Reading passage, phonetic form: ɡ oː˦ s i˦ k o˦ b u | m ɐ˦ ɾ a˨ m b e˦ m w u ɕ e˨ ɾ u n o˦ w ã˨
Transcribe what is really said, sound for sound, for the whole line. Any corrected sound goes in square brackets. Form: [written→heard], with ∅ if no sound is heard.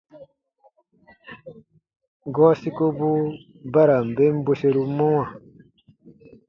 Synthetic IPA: ɡ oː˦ s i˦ k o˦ b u | [m→b] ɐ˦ ɾ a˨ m b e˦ m [w→b] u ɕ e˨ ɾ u [n→m] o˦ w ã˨